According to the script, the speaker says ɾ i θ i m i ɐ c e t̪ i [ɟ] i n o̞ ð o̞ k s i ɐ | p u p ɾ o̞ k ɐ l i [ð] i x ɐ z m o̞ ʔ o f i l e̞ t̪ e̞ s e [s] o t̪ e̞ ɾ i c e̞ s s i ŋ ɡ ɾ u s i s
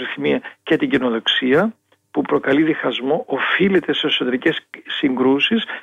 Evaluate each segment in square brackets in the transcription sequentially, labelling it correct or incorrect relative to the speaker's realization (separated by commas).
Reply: correct, correct, correct